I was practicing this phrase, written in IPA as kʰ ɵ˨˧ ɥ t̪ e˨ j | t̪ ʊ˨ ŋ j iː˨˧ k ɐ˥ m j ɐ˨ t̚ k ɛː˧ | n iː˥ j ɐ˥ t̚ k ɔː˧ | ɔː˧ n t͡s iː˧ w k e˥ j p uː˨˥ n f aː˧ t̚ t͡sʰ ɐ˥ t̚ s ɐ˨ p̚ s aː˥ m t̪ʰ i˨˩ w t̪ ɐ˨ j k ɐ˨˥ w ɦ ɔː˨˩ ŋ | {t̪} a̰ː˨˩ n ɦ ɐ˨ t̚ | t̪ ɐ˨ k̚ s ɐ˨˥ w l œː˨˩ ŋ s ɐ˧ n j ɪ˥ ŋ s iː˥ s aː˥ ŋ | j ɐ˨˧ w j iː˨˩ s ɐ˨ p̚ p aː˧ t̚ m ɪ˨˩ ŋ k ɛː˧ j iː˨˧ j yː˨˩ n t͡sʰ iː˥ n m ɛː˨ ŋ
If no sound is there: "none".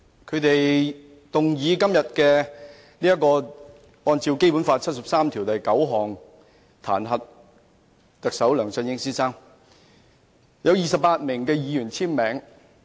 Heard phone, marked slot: t̪ʰ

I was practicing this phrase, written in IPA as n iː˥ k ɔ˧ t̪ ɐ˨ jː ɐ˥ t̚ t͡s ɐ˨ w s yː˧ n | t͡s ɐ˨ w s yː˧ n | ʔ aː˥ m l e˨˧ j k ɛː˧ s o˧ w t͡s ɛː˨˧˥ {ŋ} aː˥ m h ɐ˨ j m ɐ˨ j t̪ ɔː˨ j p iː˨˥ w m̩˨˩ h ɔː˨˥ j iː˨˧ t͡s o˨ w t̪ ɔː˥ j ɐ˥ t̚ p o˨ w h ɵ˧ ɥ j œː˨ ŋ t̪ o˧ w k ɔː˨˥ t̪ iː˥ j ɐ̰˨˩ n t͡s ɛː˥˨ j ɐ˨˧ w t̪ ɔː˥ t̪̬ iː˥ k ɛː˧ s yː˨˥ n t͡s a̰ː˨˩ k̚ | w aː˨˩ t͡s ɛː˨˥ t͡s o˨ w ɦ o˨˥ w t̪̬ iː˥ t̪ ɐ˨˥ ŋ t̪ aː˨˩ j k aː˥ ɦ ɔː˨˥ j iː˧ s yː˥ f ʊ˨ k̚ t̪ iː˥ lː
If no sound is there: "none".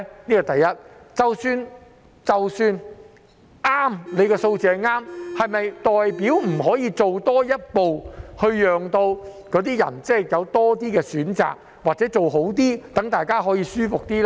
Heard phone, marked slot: ŋ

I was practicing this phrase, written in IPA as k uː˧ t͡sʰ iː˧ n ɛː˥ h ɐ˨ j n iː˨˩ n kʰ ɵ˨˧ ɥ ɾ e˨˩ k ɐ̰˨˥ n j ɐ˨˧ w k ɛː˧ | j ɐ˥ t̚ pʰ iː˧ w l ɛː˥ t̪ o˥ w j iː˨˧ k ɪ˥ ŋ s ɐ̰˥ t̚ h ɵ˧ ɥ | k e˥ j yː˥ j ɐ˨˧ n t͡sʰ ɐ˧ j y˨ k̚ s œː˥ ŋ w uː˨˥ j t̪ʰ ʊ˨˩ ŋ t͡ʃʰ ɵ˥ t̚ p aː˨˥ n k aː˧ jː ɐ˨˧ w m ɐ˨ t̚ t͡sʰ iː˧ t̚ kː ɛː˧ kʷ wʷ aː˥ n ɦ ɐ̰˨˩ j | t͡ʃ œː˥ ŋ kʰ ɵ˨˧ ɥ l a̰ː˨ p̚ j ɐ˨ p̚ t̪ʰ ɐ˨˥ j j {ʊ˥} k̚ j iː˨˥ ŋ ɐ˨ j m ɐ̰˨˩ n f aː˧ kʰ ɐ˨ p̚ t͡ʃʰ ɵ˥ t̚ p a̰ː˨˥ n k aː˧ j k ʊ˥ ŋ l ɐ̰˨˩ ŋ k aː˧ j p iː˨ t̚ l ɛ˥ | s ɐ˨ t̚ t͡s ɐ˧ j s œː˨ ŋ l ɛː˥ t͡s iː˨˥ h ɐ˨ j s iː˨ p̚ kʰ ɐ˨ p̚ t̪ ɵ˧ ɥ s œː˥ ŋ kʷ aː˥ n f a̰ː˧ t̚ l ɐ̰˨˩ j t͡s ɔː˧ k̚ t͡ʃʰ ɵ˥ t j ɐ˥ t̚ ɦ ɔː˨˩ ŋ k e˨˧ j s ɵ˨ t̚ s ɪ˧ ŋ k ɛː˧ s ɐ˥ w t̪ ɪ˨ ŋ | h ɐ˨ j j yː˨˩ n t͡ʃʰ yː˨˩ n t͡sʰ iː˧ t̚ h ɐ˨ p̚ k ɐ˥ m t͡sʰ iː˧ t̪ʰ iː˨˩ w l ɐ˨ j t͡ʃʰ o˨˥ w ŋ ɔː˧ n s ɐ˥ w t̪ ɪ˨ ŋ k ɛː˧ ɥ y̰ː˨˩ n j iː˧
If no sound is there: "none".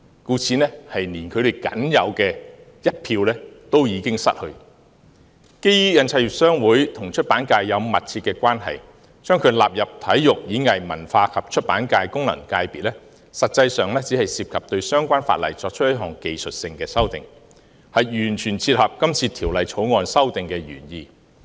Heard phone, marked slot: ʊ˨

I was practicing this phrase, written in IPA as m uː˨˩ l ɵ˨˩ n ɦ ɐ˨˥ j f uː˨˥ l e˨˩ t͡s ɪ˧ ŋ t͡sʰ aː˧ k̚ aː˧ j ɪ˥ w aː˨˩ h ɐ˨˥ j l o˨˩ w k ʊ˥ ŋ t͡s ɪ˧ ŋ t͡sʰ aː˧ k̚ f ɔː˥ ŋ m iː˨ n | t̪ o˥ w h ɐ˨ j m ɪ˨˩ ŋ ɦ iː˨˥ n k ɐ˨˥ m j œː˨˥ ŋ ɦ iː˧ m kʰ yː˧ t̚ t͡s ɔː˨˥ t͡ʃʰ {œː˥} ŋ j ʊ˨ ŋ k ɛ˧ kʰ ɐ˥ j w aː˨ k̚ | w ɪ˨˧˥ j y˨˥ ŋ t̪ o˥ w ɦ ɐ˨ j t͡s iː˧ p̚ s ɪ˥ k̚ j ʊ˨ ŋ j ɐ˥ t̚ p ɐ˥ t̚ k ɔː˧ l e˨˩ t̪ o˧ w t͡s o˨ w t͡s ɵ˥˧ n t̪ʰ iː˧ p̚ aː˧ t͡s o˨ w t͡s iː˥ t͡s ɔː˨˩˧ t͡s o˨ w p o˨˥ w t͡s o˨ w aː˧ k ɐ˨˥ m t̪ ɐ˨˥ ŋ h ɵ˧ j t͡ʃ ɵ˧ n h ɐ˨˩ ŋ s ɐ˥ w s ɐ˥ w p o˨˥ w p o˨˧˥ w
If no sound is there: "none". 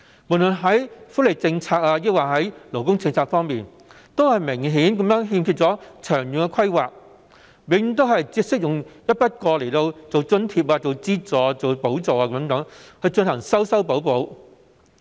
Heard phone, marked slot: œː˨˩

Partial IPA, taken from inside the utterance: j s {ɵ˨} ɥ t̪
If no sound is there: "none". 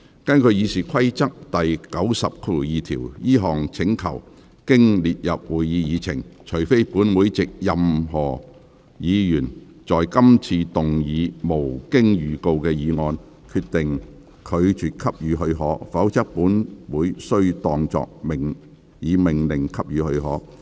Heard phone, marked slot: ɵ˥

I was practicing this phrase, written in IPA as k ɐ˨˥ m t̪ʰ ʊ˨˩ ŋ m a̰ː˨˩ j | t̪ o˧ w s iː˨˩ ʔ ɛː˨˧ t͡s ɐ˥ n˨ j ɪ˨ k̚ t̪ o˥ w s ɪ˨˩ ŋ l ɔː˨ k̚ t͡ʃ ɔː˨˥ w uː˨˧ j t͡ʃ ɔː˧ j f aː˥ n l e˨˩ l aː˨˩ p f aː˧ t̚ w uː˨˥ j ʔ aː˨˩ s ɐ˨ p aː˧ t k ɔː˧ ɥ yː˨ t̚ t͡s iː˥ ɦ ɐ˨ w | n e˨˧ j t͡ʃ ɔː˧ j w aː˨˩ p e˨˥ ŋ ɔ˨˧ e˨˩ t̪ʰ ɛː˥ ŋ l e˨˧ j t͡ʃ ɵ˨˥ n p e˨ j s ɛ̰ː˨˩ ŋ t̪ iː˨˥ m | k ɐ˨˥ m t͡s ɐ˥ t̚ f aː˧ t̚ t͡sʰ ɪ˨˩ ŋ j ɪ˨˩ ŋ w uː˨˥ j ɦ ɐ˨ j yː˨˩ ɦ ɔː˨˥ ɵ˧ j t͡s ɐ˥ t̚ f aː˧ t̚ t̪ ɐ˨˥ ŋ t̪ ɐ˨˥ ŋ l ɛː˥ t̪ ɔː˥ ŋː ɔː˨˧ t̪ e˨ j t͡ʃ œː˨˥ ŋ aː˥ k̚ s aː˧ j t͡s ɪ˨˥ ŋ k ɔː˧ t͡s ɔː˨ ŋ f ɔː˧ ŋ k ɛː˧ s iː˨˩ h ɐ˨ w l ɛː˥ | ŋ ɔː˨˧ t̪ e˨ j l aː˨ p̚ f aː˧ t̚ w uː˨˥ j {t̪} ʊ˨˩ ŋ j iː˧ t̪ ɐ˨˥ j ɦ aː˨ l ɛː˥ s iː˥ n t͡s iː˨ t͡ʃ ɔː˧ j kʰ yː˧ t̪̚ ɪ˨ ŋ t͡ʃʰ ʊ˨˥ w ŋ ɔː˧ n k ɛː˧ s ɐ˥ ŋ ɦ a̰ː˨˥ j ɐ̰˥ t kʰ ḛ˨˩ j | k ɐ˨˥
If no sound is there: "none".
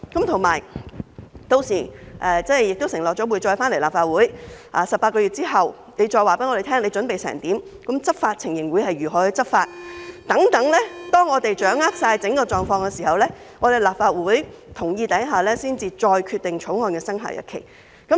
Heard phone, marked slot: t̪ʰ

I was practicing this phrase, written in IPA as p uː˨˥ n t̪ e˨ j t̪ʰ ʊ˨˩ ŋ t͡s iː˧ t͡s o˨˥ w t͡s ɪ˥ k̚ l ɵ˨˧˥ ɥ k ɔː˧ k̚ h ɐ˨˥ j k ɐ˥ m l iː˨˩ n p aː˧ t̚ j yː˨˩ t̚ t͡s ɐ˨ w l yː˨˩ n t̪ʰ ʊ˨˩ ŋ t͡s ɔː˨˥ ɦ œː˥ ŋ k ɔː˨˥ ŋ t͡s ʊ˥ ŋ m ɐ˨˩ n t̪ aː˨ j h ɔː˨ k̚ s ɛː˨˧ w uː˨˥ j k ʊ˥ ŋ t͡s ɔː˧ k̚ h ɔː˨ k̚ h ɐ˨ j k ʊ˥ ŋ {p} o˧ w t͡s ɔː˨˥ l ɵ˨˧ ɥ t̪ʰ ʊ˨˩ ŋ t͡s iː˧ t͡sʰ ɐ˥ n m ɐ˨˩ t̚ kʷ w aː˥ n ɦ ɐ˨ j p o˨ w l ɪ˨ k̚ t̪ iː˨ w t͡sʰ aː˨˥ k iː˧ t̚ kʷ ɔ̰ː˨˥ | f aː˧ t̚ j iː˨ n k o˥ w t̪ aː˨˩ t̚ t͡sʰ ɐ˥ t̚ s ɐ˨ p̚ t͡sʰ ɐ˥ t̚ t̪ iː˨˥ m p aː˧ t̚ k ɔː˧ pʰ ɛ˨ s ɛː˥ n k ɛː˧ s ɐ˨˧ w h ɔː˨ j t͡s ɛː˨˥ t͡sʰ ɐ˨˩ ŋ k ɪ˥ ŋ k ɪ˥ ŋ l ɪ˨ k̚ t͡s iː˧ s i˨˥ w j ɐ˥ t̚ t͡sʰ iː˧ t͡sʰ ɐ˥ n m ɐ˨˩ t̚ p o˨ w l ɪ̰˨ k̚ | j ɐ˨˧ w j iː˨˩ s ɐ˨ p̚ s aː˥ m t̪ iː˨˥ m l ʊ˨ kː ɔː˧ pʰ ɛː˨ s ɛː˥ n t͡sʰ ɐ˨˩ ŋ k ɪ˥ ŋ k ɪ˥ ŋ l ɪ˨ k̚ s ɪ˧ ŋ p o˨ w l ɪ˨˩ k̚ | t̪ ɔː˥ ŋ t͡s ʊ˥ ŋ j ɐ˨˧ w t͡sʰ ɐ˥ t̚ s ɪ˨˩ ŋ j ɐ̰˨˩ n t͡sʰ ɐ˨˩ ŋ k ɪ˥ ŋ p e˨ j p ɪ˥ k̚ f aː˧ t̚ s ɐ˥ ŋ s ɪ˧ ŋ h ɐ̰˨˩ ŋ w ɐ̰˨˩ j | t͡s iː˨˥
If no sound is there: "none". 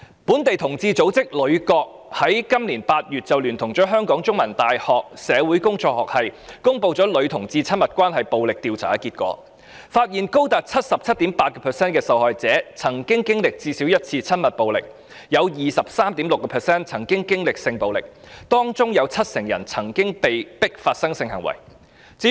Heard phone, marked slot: p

